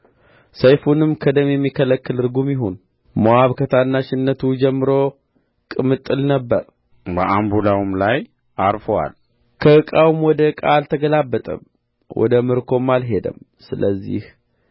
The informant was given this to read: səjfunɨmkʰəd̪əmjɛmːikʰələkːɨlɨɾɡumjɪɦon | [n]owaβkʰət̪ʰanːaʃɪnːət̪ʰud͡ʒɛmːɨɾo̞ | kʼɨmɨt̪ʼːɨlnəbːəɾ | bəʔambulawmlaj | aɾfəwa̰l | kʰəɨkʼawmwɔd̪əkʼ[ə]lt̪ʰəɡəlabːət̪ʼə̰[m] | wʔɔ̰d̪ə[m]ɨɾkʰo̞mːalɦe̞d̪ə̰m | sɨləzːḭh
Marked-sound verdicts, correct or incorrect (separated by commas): incorrect, incorrect, correct, correct